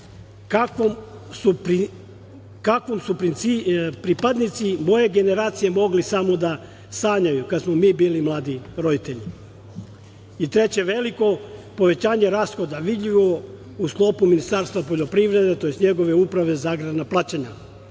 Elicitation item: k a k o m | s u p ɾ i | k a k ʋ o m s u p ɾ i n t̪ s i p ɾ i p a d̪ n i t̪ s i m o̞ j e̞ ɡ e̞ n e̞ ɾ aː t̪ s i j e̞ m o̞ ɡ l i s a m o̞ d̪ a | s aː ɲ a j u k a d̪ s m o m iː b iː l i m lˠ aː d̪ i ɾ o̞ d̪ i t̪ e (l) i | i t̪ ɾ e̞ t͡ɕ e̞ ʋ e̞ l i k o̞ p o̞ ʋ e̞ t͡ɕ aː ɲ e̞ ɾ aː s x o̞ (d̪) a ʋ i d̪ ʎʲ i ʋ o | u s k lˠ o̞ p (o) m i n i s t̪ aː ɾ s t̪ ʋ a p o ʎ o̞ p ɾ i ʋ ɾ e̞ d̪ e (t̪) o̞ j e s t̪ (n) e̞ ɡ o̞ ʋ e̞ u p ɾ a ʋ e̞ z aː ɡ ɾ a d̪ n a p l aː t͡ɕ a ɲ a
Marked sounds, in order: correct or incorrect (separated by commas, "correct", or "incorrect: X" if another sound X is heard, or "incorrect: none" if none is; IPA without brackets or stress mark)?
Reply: incorrect: ʎ, correct, incorrect: u, correct, incorrect: ɲ